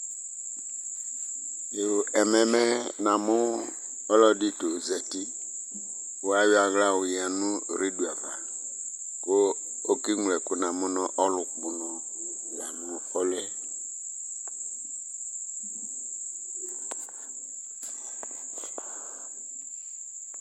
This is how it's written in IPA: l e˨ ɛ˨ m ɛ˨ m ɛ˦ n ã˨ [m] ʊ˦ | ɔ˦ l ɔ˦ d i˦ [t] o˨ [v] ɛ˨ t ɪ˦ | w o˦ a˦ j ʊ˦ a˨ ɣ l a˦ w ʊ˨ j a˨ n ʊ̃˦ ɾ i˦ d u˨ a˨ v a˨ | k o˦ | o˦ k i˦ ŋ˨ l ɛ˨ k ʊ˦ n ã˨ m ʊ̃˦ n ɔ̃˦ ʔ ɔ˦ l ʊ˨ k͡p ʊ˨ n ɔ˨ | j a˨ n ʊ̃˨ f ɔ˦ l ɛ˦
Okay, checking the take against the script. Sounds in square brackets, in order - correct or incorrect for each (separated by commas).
correct, correct, incorrect